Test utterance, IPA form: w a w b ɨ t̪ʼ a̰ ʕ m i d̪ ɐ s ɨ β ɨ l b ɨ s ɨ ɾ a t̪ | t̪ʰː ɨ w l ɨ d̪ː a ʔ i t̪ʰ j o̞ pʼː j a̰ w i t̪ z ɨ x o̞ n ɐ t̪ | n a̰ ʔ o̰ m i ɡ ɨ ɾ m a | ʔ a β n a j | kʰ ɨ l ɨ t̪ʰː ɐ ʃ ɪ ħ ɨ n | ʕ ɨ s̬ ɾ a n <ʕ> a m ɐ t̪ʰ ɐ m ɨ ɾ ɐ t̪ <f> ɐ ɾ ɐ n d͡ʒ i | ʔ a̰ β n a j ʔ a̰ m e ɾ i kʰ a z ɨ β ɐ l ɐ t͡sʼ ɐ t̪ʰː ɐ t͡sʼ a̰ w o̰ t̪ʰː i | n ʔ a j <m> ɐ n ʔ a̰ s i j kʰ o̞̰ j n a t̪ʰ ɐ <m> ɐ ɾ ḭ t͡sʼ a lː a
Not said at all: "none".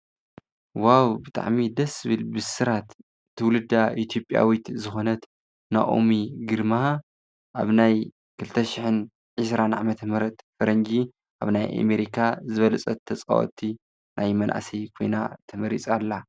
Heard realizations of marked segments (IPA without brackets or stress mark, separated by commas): ʕ, f, m, m